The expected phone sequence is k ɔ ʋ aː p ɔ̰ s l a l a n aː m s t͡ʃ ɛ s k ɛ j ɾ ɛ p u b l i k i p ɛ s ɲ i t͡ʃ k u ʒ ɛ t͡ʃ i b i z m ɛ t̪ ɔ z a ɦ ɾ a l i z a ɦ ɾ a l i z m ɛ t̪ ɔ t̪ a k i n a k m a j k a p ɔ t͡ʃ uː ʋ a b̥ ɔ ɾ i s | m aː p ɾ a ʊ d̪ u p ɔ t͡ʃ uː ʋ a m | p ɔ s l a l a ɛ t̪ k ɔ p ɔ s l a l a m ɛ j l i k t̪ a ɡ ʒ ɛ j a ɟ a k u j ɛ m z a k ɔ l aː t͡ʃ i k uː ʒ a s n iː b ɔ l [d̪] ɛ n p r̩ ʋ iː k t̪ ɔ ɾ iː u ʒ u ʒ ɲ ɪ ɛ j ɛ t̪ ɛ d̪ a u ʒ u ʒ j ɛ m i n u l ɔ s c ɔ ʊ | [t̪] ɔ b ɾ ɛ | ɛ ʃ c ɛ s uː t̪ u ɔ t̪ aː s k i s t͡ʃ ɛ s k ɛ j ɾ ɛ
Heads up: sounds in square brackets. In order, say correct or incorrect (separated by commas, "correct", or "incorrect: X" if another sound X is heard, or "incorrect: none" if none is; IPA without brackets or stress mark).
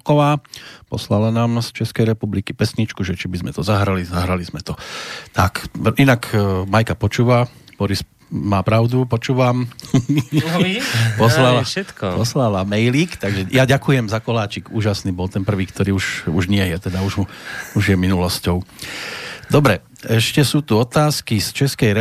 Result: incorrect: t̪, incorrect: d̪